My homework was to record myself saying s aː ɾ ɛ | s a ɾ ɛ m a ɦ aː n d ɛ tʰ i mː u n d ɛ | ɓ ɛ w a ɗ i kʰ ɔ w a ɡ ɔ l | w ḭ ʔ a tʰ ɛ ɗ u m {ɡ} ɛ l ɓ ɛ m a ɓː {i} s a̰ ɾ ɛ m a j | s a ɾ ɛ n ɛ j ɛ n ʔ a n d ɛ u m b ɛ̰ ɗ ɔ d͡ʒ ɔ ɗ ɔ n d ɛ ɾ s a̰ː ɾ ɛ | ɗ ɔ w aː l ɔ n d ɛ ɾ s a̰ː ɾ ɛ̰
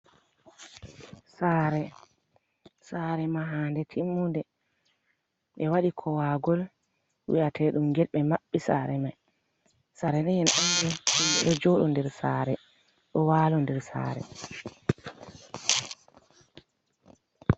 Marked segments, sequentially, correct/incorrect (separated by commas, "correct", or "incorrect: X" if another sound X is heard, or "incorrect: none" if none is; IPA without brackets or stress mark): correct, correct